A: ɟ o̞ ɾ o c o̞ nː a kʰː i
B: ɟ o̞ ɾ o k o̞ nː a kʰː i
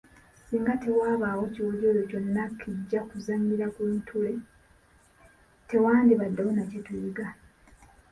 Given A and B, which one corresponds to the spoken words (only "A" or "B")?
A